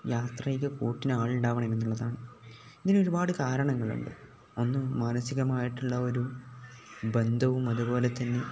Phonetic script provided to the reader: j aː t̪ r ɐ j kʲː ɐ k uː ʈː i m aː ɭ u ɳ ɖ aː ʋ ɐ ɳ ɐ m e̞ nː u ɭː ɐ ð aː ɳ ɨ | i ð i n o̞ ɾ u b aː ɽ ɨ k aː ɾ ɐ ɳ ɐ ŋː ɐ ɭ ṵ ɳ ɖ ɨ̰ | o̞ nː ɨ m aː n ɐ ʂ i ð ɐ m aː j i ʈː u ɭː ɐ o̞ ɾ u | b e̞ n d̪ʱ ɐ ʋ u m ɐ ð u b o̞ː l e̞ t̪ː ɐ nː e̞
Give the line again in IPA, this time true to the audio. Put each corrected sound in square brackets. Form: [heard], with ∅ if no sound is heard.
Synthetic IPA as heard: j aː t̪ r ɐ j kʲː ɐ k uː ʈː i [n] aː ɭ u ɳ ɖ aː ʋ ɐ ɳ ɐ m e̞ nː u ɭː ɐ ð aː ɳ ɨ | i ð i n o̞ ɾ u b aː ɽ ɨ k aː ɾ ɐ ɳ ɐ ŋː ɐ ɭ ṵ ɳ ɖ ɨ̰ | o̞ nː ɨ m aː n ɐ [s] i [ɣ] ɐ m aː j i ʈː u ɭː ɐ o̞ ɾ u | b e̞ n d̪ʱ ɐ ʋ u m ɐ ð u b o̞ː l e̞ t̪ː ɐ nː e̞

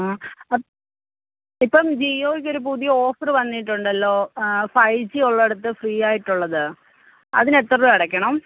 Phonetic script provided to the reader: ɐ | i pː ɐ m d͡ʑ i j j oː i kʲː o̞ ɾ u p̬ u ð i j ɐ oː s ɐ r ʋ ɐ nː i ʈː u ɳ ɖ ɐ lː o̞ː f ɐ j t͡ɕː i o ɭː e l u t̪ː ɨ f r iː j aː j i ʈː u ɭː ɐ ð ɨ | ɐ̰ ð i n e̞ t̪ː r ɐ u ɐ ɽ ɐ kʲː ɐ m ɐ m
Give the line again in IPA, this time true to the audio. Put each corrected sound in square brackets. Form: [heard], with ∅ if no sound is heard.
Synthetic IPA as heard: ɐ | i pː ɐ m d͡ʑ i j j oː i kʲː o̞ ɾ u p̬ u ð i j ɐ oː [f] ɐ r ʋ ɐ nː i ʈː u ɳ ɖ ɐ lː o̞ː f ɐ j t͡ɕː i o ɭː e [ɽ] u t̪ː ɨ f r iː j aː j i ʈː u ɭː ɐ ð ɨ | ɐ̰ ð i n e̞ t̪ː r ɐ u ɐ ɽ ɐ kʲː ɐ [ɳ] ɐ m

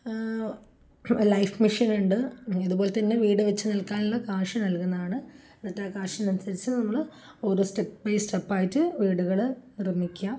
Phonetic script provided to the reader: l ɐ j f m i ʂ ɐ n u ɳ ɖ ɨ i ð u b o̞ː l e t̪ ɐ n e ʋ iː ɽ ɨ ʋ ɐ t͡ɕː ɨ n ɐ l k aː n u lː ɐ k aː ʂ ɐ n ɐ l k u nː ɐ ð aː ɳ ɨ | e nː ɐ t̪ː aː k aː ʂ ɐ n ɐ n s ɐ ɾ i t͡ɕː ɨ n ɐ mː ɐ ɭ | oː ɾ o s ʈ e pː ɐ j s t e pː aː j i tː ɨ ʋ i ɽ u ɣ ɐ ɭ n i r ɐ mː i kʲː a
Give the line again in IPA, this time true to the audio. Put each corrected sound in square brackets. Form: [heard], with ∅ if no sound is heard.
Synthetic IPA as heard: l ɐ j f m i ʂ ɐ n u ɳ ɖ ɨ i ð u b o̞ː l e t̪ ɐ [nː] e ʋ iː ɽ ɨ ʋ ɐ t͡ɕː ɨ n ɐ l k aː n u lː ɐ k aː ʂ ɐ n ɐ l k u nː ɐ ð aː ɳ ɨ | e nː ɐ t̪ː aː k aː ʂ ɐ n ɐ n s ɐ ɾ i t͡ɕː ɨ n ɐ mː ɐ ɭ | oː ɾ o s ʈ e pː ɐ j s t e pː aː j i tː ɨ ʋ [iː] ɽ u ɣ ɐ ɭ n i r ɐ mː i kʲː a

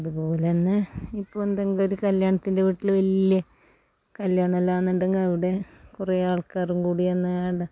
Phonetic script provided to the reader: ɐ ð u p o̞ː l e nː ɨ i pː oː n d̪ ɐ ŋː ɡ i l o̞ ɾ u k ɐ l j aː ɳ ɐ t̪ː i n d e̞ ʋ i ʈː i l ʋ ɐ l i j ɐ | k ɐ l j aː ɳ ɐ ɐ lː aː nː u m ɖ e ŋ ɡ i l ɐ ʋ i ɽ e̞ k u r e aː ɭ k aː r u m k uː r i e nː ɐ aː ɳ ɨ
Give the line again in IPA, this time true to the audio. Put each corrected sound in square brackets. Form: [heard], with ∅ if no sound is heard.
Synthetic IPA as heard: ɐ ð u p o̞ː l e nː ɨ i pː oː n d̪ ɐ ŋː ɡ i l o̞ ɾ u k ɐ l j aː ɳ ɐ t̪ː i n d e̞ ʋ i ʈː i l ʋ ɐ l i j ɐ | k ɐ l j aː ɳ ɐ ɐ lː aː nː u [ɳ] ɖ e ŋ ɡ i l ɐ ʋ i ɽ e̞ k u r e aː ɭ k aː r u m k uː [ɽ] i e nː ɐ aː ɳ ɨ

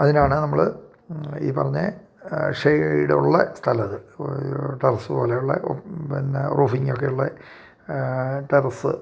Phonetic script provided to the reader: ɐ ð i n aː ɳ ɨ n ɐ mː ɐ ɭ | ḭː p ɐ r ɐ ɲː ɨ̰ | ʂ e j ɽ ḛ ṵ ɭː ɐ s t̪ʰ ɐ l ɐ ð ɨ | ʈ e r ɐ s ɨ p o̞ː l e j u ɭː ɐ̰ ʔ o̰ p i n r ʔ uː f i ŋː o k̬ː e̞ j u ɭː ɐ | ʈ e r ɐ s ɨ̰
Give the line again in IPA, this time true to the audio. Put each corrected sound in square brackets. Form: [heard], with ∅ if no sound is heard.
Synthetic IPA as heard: ɐ ð i n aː ɳ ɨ n ɐ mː ɐ ɭ | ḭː p ɐ r ɐ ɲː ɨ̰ | ʂ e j ɽ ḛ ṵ ɭː ɐ s t̪ʰ ɐ l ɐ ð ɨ | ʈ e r ɐ s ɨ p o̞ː l e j u ɭː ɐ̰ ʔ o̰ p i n r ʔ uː f i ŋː o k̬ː e̞ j u ɭː ɐ | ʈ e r ɐ s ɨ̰

